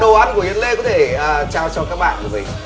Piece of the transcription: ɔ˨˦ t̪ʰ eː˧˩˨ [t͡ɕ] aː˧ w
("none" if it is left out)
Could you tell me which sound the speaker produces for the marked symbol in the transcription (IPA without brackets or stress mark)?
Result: t͡ɕ